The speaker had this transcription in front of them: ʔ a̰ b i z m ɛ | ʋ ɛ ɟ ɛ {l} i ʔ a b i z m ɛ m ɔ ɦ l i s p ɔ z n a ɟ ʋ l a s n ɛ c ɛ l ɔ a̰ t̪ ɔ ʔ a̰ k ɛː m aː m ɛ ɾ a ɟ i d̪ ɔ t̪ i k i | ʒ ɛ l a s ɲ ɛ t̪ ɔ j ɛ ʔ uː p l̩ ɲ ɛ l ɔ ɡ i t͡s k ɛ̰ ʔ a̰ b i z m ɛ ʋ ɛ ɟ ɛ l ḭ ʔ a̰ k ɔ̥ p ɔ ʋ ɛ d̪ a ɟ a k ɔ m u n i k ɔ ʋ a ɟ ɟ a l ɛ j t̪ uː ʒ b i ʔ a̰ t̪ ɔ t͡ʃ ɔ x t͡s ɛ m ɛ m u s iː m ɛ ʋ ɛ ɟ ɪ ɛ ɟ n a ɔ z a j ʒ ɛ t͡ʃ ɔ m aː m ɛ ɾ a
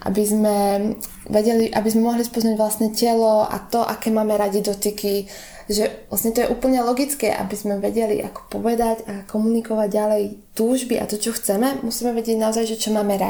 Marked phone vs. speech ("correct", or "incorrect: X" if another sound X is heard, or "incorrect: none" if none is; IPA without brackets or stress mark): correct